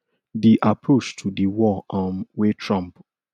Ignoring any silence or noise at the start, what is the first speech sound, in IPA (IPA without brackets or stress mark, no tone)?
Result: d